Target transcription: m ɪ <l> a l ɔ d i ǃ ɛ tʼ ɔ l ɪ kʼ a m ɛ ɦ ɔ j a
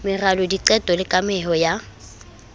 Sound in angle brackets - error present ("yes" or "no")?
yes